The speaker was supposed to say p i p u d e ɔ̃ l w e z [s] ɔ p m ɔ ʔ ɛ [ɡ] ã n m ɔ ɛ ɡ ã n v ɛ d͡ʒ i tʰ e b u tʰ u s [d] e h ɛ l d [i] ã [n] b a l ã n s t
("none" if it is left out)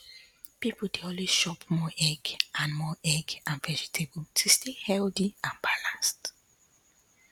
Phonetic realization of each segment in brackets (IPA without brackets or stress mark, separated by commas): ʃ, ɡ, t, i, n